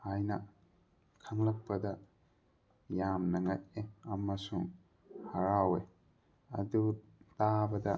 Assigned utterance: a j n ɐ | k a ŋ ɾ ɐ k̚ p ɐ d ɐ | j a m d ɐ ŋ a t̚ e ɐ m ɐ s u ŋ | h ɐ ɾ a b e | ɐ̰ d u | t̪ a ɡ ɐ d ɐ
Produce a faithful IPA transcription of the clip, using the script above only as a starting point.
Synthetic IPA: a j n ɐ | kʰ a ŋ l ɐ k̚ p ɐ d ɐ | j a m n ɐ ŋ a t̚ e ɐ m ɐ s u ŋ | h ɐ ɾ a w e | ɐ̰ d u | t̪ a b ɐ d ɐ